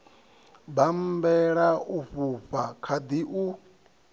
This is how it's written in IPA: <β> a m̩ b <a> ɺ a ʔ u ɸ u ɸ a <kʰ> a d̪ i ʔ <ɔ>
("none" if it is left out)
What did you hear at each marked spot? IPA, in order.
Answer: b, ɛ, kʰ, u

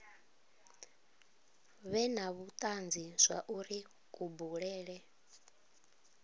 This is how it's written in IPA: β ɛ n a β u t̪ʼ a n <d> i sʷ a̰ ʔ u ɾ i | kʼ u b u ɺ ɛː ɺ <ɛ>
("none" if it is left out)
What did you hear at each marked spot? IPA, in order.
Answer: d͡z, ɛ

